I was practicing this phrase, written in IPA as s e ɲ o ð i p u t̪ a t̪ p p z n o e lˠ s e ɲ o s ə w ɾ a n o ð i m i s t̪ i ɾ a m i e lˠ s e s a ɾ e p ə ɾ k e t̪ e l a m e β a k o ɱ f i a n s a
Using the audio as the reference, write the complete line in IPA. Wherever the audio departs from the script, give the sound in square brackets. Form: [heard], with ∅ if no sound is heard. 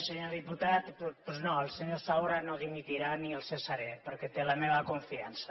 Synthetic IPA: s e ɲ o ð i p u t̪ a t̪ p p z n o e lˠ s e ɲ o s [a] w ɾ a n o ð i m i [∅] t̪ i ɾ a [n] i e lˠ s e s a ɾ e p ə ɾ k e t̪ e l a m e β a k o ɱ f i a n s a